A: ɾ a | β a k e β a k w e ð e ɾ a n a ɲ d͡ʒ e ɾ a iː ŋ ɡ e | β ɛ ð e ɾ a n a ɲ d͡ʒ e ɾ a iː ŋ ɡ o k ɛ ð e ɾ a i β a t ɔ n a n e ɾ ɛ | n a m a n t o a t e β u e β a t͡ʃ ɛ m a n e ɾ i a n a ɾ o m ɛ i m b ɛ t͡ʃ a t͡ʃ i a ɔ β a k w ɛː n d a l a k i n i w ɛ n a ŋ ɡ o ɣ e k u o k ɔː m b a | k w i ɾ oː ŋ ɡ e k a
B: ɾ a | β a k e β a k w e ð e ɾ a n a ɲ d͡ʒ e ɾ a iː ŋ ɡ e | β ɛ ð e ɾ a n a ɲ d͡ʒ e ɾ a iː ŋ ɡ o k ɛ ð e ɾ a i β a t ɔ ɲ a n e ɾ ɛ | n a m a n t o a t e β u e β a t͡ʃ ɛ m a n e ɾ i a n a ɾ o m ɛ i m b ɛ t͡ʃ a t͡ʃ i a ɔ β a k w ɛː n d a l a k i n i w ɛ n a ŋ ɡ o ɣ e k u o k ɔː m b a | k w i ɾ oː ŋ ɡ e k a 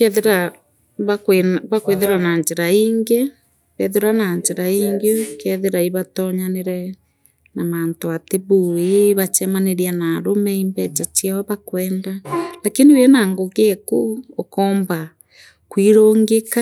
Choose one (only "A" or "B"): B